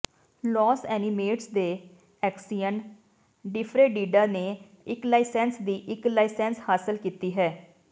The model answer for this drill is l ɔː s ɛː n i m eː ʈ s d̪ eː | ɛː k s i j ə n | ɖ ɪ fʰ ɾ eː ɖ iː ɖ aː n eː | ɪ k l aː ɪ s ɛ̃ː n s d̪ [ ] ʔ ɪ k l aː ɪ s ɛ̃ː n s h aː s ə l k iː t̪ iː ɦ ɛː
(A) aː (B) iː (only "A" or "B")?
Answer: B